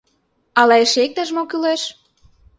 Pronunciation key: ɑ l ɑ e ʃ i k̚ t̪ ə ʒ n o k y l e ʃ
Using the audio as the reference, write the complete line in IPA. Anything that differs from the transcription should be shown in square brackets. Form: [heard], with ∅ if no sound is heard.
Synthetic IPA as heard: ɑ l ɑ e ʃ [e] k̚ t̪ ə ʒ [m] o k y l e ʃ